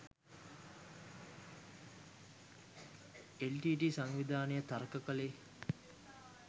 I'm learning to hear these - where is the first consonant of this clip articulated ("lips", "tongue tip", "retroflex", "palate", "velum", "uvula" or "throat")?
tongue tip